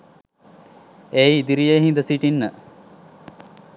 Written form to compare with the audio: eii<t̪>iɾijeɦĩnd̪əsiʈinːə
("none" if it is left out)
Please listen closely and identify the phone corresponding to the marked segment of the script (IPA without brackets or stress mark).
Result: d̪